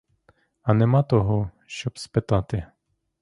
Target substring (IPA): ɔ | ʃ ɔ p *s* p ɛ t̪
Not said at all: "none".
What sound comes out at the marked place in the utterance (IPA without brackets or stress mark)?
s